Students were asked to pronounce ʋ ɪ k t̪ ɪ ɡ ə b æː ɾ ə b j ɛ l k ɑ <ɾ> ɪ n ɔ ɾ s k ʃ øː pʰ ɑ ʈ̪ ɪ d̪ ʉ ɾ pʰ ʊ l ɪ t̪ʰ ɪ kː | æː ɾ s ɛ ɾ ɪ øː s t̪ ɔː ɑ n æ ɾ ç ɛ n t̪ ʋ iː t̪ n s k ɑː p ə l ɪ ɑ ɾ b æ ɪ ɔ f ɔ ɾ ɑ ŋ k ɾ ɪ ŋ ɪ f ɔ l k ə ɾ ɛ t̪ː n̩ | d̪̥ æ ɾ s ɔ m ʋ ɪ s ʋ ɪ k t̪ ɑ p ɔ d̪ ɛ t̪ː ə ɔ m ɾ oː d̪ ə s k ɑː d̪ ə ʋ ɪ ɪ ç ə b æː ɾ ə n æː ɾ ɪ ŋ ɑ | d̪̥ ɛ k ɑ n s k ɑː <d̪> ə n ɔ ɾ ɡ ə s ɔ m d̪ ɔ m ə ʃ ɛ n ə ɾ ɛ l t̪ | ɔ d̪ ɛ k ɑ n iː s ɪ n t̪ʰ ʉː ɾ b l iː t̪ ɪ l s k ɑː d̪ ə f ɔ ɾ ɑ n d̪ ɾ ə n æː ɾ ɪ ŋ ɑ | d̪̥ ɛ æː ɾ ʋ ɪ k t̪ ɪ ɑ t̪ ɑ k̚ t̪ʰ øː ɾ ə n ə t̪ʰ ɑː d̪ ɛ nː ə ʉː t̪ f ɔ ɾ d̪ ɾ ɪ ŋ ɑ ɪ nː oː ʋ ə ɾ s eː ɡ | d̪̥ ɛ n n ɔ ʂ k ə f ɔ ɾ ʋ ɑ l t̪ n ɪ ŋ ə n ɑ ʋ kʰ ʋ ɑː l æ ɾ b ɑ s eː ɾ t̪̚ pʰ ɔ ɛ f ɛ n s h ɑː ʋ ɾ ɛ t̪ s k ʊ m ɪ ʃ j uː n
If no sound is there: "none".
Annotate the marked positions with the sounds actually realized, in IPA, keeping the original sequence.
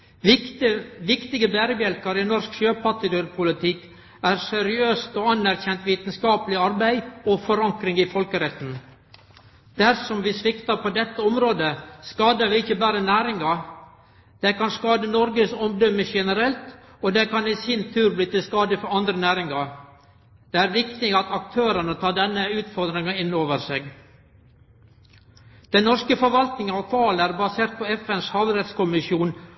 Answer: ɾ, d̪

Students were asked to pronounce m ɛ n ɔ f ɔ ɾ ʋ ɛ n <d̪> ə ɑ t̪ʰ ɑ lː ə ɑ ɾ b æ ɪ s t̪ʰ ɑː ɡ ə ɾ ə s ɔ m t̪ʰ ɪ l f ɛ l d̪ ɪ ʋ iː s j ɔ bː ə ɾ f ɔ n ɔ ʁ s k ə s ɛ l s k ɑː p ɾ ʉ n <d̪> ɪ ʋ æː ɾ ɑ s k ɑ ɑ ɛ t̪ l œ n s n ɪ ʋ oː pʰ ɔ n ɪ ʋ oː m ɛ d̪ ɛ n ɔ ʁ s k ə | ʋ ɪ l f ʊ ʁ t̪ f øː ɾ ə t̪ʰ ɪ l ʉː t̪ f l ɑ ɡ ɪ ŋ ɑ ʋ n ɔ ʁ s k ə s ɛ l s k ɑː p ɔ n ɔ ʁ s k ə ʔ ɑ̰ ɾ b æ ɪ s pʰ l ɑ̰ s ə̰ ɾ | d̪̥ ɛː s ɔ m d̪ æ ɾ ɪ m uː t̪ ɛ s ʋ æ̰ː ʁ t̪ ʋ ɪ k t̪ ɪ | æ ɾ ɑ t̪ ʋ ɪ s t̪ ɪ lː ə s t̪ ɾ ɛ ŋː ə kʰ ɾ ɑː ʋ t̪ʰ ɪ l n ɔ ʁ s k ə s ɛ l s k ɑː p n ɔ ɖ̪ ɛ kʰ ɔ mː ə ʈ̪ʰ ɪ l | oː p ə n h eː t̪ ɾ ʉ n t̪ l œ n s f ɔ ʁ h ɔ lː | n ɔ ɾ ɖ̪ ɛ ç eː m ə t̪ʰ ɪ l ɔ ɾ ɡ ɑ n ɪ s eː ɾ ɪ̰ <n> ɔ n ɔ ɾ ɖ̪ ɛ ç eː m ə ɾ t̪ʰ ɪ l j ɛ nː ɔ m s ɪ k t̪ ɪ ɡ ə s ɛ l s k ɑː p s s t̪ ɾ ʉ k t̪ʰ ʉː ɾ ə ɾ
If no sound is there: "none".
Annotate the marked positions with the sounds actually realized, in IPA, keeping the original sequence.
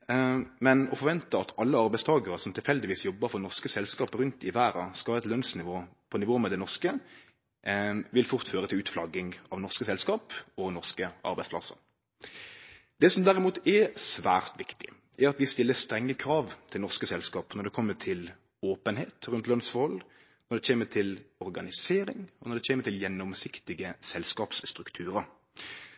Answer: t̪, t̪, ŋ

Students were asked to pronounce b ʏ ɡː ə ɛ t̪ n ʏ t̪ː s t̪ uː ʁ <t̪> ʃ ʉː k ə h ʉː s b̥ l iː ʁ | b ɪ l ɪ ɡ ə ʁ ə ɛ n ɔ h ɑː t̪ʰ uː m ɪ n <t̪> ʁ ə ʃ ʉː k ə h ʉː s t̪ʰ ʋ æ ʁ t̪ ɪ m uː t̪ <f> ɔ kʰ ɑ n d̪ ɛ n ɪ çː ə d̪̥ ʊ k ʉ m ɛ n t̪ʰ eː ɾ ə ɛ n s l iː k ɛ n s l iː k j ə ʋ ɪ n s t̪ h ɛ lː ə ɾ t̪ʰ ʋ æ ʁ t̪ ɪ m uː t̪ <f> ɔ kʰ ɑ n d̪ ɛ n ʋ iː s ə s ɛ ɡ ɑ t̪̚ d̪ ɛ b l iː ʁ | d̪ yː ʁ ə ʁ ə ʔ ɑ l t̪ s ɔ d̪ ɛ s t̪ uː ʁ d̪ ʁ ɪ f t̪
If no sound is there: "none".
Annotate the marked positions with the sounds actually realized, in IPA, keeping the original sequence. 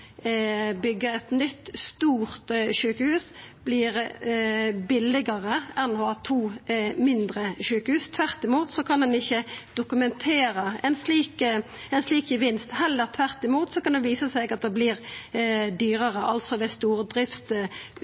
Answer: t̪, d̪, s, s

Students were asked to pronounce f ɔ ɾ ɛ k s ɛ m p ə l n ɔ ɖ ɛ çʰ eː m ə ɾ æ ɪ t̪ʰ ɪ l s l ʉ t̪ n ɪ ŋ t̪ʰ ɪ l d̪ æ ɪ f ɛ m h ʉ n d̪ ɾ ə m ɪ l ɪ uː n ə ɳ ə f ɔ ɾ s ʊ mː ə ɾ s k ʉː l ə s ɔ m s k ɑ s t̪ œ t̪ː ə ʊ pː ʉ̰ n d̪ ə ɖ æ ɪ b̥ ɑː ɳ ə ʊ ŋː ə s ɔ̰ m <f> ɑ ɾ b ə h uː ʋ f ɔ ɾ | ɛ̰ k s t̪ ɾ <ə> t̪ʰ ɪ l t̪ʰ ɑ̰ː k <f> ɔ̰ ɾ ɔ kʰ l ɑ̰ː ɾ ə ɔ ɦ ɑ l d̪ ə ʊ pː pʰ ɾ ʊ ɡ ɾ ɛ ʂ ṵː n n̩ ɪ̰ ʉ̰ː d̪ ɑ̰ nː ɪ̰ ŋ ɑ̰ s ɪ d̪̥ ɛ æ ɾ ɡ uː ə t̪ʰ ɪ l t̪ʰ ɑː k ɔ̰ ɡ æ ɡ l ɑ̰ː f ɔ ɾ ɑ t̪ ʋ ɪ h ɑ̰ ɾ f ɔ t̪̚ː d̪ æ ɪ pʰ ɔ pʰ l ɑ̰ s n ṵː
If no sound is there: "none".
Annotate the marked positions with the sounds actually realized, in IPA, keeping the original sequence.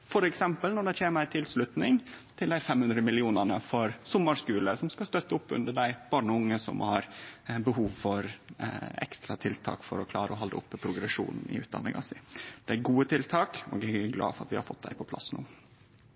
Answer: h, ɑ, f

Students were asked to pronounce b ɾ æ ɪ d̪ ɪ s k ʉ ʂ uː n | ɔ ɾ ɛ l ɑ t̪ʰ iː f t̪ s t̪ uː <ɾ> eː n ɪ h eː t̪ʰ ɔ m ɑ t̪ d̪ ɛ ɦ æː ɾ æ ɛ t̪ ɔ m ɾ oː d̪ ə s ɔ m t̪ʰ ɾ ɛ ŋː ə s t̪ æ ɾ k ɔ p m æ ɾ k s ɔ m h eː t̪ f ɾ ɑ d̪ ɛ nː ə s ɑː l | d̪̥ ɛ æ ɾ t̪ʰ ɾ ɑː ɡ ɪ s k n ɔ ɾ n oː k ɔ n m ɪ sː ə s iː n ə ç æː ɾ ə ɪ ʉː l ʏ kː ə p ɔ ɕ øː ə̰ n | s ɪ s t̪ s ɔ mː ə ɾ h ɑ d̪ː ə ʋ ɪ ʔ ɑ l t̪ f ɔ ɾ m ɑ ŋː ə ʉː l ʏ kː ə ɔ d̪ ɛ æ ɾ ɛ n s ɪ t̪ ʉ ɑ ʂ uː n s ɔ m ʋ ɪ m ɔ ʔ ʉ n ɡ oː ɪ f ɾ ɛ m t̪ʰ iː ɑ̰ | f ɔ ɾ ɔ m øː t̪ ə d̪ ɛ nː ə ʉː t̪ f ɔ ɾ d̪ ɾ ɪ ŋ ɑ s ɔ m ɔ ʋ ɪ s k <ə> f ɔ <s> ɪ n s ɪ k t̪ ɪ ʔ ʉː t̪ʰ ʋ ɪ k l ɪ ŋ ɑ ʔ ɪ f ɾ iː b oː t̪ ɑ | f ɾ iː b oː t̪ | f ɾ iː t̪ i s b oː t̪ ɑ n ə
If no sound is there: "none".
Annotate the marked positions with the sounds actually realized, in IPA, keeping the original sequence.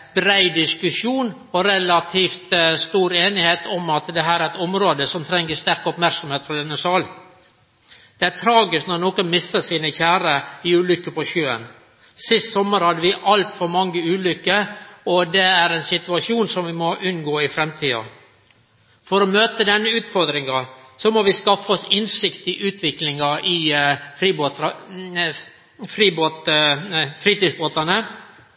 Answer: ɾ, ɑ, s

